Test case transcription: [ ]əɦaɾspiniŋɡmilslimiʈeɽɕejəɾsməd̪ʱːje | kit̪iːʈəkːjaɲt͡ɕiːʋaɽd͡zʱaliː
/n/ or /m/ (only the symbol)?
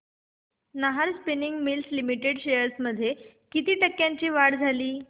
n